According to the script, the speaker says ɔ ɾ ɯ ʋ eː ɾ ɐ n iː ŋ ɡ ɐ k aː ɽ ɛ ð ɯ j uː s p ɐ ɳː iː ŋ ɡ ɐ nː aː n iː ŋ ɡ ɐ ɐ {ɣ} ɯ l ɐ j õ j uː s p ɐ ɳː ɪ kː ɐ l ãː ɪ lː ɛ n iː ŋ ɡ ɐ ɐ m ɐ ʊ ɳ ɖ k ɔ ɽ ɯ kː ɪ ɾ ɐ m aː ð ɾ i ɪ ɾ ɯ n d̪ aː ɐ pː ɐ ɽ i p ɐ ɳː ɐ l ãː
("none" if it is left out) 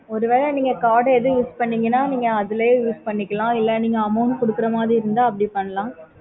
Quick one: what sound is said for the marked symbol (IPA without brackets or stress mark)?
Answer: ð